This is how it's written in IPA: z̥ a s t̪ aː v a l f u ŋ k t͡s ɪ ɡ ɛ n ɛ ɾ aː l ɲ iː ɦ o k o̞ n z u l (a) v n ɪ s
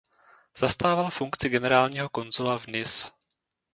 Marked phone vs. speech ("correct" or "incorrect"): correct